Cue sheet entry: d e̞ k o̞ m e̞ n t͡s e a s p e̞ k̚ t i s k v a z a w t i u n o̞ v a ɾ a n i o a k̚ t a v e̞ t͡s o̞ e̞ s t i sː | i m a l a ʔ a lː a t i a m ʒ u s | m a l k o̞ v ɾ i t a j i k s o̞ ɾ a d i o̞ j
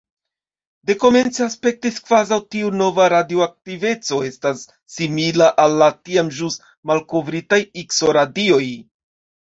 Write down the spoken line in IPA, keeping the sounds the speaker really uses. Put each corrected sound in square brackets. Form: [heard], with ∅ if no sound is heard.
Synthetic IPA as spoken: d e̞ k o̞ m e̞ n t͡s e a s p e̞ k̚ t i s k v a z a w t i u n o̞ v a ɾ a [d] i o a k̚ t [i] v e̞ t͡s o̞ e̞ s t [a] sː | i m [i] l a ʔ a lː a t i a m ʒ u s | m a l k o̞ v ɾ i t a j i k s o̞ ɾ a d i o̞ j